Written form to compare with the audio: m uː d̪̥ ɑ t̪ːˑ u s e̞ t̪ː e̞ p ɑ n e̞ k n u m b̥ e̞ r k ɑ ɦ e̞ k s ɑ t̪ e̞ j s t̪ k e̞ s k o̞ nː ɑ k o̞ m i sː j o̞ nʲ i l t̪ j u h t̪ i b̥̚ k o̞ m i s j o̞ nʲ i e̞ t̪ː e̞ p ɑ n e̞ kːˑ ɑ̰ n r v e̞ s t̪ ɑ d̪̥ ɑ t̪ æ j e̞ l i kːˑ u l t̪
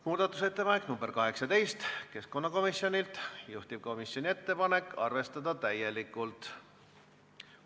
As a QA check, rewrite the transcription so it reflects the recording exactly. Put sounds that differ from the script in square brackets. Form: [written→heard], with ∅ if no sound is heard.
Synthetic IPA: m uː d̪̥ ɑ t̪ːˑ u s e̞ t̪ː e̞ p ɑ n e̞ k n u m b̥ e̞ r k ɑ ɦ e̞ k s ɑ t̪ e̞ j s t̪ k e̞ s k o̞ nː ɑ k o̞ m i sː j o̞ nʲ i l t̪ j u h t̪ i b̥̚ k o̞ m i s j o̞ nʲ i e̞ t̪ː e̞ p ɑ n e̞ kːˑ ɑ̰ [n→∅] r v e̞ s t̪ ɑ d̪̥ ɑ t̪ æ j e̞ l i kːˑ u l t̪